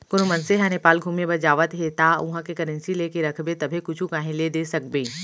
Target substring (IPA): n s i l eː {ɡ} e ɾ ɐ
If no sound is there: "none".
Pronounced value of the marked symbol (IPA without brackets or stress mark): k